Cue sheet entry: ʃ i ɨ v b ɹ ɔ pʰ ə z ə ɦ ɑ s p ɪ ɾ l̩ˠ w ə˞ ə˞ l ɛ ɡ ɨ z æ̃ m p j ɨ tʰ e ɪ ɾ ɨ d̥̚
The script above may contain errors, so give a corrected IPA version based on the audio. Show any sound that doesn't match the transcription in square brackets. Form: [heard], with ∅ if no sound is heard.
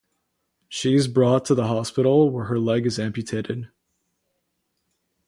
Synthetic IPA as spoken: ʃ i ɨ [z] b ɹ ɔ [tʰ] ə [ð] ə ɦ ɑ s p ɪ ɾ l̩ˠ w ə˞ ə˞ l ɛ ɡ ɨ z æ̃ m p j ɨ tʰ e ɪ ɾ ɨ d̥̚